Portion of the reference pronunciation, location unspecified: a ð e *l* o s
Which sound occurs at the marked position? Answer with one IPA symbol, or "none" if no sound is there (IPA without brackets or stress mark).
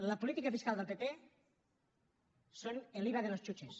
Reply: l